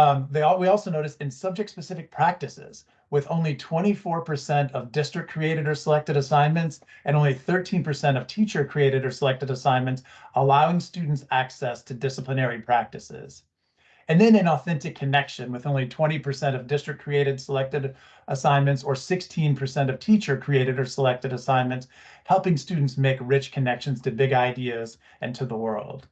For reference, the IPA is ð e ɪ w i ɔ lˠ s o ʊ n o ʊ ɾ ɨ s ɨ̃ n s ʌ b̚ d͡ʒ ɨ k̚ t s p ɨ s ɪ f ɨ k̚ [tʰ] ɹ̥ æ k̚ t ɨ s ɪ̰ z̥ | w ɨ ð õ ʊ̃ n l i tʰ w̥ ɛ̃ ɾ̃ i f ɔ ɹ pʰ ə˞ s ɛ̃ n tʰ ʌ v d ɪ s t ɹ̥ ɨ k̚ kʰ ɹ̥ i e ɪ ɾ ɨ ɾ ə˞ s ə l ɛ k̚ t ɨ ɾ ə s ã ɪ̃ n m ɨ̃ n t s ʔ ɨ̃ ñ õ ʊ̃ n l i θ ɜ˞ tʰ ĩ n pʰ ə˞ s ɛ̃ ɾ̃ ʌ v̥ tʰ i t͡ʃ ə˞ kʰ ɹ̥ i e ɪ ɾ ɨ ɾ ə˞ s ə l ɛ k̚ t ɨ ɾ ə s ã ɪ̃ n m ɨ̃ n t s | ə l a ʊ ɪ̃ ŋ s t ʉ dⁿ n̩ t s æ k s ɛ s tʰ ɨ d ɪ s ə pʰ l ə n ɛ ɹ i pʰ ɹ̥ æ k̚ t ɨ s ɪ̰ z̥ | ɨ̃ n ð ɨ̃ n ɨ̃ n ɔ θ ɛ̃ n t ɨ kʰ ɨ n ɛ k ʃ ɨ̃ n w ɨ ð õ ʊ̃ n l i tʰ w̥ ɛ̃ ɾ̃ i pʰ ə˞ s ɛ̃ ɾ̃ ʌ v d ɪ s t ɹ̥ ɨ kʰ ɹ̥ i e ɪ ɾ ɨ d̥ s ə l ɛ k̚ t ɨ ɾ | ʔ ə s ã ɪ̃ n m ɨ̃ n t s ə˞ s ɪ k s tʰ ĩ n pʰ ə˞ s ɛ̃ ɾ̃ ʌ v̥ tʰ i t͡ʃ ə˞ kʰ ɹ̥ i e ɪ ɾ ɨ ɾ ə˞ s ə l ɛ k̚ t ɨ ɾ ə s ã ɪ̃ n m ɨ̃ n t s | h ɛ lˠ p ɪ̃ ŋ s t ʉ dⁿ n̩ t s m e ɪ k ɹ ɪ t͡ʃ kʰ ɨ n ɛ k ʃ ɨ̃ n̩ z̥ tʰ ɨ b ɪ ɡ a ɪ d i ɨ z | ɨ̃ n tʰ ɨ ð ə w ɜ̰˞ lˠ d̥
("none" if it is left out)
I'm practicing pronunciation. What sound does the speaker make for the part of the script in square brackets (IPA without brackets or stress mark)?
pʰ